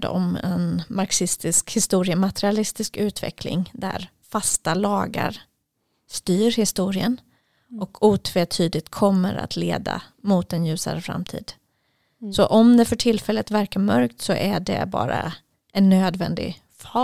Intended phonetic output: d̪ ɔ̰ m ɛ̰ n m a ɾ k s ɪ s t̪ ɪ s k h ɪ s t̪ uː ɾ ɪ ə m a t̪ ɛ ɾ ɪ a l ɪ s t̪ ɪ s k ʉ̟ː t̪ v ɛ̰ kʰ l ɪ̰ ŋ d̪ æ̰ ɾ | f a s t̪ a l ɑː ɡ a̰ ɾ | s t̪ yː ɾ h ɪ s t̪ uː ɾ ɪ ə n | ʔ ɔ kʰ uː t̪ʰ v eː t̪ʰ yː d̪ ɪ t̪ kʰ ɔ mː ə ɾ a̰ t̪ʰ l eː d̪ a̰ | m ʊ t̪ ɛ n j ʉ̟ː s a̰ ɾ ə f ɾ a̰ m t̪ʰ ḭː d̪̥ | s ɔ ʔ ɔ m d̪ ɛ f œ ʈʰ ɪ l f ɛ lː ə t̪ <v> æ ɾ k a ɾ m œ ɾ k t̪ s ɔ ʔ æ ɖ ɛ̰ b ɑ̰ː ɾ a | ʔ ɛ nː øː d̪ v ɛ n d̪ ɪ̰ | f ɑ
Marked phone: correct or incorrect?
correct